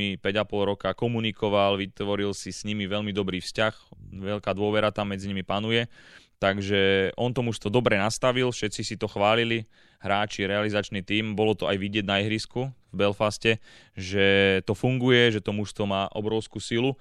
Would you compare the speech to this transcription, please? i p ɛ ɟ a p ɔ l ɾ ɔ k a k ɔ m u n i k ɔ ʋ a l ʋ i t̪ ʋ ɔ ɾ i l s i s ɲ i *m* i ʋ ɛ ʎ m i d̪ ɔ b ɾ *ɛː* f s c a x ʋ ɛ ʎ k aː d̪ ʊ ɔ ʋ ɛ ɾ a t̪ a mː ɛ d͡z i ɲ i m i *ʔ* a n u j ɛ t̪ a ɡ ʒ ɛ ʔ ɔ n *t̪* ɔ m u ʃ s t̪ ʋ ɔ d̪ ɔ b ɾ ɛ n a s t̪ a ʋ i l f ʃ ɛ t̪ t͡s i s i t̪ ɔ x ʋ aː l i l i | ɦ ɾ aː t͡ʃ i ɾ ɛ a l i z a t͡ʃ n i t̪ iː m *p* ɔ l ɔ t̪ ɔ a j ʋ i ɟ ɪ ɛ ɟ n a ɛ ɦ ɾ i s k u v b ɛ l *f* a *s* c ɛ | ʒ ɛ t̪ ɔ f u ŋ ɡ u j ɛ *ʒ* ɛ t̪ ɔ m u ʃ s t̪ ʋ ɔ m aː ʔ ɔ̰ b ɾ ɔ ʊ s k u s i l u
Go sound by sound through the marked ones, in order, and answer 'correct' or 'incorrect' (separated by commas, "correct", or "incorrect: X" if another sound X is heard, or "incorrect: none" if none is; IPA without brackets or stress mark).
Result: correct, incorrect: iː, incorrect: p, correct, incorrect: b, correct, correct, correct